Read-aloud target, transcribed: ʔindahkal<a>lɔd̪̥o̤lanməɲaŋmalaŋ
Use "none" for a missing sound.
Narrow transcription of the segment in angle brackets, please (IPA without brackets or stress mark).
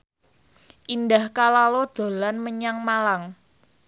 a